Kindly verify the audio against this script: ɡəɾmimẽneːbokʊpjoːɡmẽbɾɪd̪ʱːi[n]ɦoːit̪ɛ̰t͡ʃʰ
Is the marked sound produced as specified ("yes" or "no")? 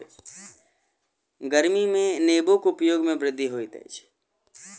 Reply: no